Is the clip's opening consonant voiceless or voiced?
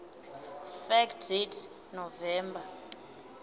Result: voiceless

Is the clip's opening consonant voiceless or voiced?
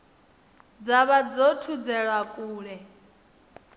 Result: voiced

